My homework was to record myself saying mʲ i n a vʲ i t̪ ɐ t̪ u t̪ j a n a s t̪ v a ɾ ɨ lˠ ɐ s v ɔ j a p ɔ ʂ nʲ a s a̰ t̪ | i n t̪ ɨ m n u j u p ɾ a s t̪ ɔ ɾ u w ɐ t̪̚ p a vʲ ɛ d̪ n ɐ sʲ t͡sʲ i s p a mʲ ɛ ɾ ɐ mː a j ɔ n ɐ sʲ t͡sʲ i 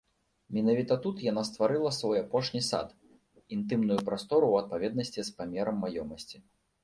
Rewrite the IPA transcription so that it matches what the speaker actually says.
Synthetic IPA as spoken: mʲ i n a vʲ i t̪ ɐ t̪ u t̪ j a n a s t̪ v a ɾ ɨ lˠ ɐ s v ɔ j a p ɔ ʂ nʲ i s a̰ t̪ | i n t̪ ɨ m n u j u p ɾ a s t̪ ɔ ɾ u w ɐ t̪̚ p a vʲ ɛ d̪ n ɐ sʲ t͡sʲ i s p a mʲ ɛ ɾ ɐ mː a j ɔ m ɐ sʲ t͡sʲ i